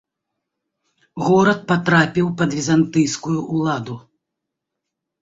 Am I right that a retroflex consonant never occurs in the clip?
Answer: yes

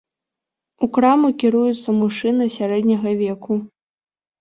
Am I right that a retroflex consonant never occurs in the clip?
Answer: no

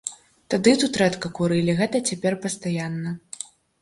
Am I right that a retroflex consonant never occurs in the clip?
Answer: yes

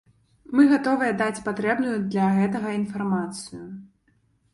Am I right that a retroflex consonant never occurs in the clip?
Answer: yes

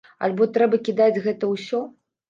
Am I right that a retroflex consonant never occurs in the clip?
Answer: yes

